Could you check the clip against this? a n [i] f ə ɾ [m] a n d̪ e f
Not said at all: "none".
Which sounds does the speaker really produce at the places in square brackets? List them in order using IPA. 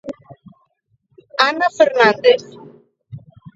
a, n

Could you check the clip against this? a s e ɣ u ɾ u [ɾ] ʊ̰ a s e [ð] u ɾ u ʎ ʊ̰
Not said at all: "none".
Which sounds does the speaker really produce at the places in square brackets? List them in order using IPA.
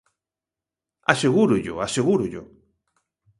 ʎ, ɣ

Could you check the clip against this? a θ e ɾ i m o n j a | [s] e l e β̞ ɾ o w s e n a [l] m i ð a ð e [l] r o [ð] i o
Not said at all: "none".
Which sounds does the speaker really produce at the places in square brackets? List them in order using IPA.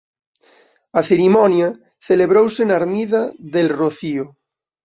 θ, ɾ, l, θ

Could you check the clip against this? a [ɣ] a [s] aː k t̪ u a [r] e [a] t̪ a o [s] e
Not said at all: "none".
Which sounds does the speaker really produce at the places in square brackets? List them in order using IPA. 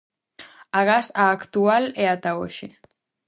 ɣ, s, l, a, ʃ

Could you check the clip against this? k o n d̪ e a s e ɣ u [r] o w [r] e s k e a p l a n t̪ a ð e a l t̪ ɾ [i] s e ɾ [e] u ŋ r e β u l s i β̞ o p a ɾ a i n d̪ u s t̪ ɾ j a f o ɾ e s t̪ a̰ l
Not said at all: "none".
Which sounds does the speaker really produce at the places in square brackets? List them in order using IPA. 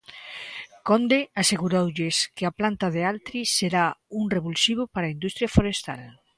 ɾ, ʎ, i, a

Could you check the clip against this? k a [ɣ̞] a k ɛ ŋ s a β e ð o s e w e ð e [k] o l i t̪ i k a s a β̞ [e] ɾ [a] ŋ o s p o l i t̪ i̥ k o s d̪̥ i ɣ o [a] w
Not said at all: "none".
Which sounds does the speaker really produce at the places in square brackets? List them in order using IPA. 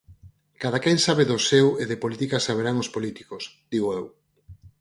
ð̞, p, e, a, e

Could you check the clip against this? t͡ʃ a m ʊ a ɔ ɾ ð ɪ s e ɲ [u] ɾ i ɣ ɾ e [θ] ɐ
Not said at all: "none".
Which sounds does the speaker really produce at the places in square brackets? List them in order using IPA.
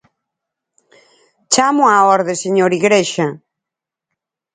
o, ʃ

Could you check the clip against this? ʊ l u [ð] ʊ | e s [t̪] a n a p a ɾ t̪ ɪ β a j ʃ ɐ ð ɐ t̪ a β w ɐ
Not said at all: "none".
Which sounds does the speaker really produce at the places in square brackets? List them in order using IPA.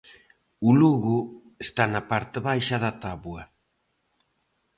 ɣ, t̪

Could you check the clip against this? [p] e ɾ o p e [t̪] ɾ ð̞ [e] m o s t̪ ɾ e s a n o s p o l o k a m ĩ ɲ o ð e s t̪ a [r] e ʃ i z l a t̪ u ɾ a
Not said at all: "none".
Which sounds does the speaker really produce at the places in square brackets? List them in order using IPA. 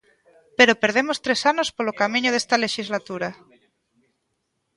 p, none, e, l

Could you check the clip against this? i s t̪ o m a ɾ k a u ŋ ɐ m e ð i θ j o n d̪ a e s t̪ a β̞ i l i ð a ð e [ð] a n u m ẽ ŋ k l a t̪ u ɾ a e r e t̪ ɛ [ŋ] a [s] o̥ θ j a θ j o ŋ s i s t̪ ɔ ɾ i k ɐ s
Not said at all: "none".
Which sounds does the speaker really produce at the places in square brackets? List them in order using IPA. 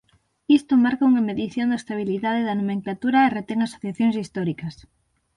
ð, ŋ, s

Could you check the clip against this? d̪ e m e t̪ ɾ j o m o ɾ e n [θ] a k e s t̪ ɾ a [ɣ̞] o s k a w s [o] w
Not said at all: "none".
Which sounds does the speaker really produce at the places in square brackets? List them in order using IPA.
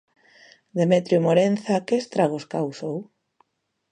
θ, ɣ̞, o

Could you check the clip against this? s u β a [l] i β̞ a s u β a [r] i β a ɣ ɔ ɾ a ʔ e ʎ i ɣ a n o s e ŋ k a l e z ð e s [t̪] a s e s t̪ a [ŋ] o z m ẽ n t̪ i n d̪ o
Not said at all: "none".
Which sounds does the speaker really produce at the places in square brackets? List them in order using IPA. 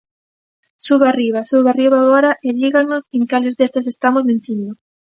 r, r, t̪, m

